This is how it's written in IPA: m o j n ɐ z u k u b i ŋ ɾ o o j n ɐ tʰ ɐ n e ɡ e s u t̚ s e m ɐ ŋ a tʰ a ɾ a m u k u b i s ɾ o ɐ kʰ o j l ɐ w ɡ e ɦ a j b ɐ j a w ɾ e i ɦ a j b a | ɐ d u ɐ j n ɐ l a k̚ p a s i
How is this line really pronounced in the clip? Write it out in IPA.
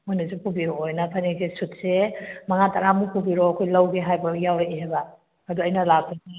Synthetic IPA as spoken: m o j n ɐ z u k u b i ɾ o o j n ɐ pʰ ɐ n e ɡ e s u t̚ s e m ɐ ŋ a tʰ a ɾ a m u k u b i ɾ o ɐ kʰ o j l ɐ w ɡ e ɦ a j b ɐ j a w ɾ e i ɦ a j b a | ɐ d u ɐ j n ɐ l a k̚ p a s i